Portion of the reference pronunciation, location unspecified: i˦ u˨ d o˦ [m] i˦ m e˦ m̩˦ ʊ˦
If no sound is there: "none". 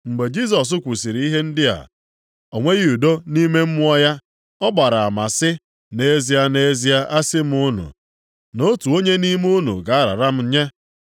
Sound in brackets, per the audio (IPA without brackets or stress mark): n